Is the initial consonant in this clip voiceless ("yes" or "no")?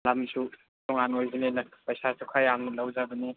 no